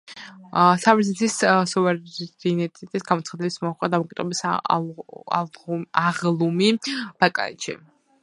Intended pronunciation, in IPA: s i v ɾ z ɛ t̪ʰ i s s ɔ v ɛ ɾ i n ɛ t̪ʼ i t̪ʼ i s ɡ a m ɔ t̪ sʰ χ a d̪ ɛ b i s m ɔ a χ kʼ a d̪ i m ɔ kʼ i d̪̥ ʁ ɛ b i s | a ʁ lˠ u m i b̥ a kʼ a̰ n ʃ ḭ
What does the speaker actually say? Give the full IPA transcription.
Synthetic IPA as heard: s a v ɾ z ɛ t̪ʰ i s s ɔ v ɛ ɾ i n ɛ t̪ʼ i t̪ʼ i s ɡ a m ɔ t̪ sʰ χ a d̪ ɛ b i s m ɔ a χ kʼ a d̪ a m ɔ kʼ i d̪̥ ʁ ɛ b i s | a ʁ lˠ u m i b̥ a kʼ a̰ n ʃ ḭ